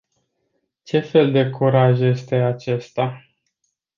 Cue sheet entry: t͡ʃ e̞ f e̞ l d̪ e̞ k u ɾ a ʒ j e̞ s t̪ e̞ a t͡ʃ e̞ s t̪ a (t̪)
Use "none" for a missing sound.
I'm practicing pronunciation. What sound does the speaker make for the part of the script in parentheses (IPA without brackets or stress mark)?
none